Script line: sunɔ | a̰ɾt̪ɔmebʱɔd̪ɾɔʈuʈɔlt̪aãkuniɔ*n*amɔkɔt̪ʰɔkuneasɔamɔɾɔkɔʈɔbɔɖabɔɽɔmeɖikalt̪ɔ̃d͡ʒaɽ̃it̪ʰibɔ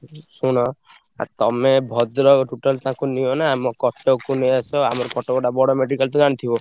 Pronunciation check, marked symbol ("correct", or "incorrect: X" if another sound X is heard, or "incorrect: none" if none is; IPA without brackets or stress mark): correct